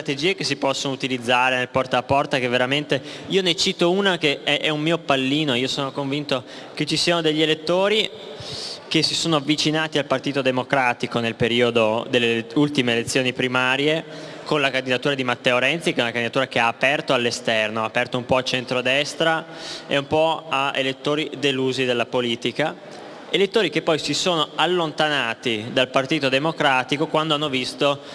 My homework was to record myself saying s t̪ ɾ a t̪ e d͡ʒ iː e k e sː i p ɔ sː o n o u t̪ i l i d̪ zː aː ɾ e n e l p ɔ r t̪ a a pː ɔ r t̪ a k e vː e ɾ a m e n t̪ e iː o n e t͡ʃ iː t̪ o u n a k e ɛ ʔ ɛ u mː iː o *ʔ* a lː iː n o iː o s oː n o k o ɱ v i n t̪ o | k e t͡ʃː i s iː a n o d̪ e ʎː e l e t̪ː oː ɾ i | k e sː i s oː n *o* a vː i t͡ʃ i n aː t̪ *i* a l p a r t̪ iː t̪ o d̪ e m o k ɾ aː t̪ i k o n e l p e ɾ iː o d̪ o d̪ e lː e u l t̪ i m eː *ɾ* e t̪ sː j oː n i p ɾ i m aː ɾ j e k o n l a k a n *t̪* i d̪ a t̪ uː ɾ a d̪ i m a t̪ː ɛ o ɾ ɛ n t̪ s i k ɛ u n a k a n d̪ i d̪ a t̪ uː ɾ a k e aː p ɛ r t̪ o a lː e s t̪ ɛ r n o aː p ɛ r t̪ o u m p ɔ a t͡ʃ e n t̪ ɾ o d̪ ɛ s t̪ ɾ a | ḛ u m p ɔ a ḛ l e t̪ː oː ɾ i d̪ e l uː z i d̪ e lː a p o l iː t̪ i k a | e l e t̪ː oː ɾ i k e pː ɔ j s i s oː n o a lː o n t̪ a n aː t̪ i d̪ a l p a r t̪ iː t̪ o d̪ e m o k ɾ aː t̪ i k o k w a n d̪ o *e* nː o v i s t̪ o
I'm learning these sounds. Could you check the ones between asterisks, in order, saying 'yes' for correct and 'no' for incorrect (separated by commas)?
no, yes, yes, no, no, no